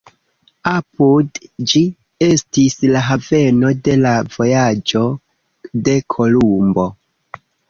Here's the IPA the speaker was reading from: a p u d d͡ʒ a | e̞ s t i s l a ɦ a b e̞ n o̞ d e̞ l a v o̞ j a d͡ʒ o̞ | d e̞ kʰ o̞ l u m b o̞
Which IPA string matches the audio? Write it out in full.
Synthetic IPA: a p u d d͡ʒ i | e̞ s t i s l a ɦ a v e̞ n o̞ d e̞ l a v o̞ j a d͡ʒ o̞ | d e̞ kʰ o̞ l u m b o̞